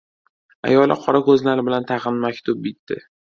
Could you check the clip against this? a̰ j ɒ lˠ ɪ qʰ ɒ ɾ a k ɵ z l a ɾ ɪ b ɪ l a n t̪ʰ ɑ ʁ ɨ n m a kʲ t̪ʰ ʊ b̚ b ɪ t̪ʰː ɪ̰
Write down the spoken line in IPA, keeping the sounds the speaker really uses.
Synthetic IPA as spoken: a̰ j ɒ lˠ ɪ qʰ ɒ ɾ a k ɵ z l a ɾ ɪ b ɪ l a n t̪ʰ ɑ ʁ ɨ n m a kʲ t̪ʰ ʊ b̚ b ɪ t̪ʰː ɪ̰